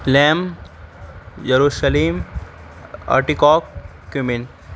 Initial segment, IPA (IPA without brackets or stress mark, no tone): l